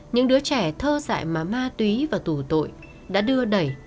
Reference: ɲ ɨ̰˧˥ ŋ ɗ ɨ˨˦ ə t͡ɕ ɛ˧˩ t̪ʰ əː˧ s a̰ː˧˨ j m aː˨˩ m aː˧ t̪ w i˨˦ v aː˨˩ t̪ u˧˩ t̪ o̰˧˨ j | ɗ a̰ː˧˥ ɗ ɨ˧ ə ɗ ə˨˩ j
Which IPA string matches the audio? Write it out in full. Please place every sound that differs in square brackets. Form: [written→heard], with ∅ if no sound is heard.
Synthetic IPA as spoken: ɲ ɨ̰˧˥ ŋ ɗ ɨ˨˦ ə t͡ɕ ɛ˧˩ t̪ʰ əː˧ [s→z] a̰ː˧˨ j m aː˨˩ m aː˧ t̪ w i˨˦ v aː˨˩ t̪ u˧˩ t̪ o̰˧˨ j | ɗ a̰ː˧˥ ɗ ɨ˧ ə ɗ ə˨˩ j